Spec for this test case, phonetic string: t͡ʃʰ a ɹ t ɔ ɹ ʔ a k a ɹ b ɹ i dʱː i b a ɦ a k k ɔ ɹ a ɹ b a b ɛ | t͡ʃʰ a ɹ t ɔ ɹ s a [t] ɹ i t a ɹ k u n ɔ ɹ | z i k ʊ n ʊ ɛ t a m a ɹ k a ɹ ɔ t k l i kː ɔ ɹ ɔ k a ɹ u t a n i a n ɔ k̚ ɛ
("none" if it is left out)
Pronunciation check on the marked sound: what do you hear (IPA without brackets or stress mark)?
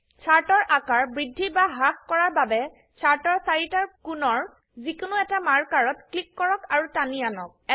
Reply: none